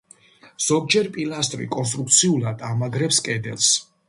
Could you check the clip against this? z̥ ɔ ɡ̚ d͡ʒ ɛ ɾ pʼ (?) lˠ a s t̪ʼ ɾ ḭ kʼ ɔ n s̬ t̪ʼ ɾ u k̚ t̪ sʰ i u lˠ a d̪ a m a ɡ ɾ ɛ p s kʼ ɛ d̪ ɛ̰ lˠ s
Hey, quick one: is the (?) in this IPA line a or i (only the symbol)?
i